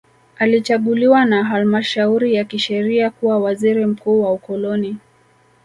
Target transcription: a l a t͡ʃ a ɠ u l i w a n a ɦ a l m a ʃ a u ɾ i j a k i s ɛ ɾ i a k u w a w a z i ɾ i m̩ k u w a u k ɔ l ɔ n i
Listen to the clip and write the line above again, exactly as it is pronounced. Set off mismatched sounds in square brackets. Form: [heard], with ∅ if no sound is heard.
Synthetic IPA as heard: a l [i] t͡ʃ a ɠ u l i w a n a ɦ a l m a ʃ a u ɾ i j a k i [ʃ] ɛ ɾ i a k u w a w a z i ɾ i m̩ k [uː] w a u k ɔ l ɔ n i